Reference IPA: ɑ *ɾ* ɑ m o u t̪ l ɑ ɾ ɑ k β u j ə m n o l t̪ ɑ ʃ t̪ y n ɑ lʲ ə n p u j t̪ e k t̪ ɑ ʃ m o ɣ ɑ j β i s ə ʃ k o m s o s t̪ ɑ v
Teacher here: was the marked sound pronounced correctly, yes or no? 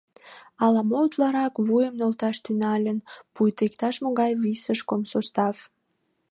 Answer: no